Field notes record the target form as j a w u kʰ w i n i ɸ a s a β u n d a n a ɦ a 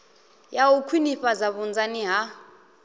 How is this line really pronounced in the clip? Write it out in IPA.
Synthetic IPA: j a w u kʰ w i n i ɸ a z a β u n d͡z a n i ɦ a

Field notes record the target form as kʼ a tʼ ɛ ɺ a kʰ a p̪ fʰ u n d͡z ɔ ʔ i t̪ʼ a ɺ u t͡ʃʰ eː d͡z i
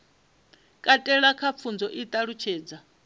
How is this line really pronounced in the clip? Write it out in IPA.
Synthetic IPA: kʼ a tʼ ɛ ɺ a kʰ a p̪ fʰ u n d͡z ɔ ʔ i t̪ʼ a ɺ u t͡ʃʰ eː d͡z a

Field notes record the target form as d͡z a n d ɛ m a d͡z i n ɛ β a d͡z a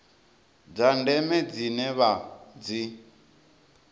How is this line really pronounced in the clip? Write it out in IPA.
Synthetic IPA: d͡z a n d ɛ m ɛ d͡z i n ɛ β a d͡z i

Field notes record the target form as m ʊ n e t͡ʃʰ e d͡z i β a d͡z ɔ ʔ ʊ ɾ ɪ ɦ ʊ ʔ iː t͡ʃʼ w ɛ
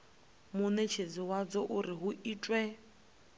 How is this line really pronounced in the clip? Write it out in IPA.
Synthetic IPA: m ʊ n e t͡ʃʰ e d͡z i w a d͡z ɔ ʔ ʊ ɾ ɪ ɦ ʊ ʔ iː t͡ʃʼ w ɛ

